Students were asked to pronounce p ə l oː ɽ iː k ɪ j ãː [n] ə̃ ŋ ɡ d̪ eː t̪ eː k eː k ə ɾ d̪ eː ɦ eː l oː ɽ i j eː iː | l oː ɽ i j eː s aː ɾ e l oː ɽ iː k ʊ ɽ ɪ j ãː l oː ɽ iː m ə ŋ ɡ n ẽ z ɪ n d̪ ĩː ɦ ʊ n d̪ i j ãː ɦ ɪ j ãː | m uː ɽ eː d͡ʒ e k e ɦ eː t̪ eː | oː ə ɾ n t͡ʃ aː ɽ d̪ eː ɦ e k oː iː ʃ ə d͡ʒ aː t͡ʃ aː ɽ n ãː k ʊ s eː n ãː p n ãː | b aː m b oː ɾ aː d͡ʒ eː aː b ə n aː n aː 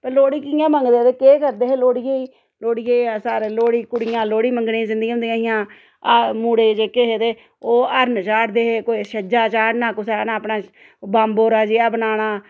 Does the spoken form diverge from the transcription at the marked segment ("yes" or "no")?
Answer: yes